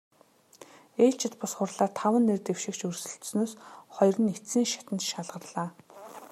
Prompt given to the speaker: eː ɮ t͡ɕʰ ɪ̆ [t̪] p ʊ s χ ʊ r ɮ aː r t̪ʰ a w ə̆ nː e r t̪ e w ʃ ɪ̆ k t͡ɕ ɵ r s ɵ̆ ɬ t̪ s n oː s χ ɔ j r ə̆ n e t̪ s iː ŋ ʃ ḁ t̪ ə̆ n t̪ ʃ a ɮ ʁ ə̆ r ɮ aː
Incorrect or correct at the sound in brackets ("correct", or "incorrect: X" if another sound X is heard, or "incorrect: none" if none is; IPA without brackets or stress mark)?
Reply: correct